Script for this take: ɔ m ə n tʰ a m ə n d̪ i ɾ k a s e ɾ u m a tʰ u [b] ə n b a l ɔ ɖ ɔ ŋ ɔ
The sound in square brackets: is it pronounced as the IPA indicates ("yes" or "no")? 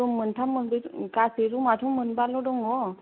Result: no